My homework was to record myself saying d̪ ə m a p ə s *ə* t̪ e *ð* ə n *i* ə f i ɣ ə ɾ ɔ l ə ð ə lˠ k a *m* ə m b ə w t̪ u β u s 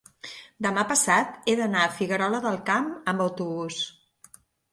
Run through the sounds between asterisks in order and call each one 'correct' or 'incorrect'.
incorrect, correct, incorrect, correct

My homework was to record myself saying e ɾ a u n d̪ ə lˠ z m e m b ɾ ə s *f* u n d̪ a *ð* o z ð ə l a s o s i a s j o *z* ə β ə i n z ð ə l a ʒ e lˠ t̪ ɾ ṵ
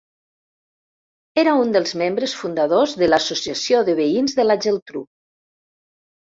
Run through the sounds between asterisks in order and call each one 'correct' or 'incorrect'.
correct, correct, incorrect

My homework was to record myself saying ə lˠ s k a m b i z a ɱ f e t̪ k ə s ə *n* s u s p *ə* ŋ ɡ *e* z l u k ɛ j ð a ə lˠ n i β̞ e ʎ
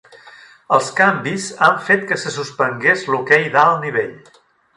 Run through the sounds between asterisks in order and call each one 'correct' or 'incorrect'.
incorrect, correct, correct

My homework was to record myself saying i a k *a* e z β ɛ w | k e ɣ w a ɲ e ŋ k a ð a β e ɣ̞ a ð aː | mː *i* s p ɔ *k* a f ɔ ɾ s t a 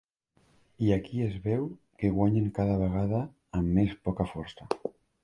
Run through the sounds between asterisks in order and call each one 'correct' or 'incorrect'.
incorrect, incorrect, correct

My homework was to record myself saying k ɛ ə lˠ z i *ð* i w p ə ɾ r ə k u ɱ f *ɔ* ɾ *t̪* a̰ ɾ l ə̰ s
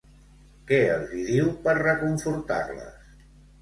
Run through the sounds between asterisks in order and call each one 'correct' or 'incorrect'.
correct, incorrect, correct

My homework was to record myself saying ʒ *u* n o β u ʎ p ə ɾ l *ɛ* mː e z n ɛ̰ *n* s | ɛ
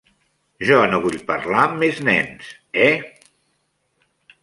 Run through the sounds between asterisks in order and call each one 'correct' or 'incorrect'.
incorrect, incorrect, correct

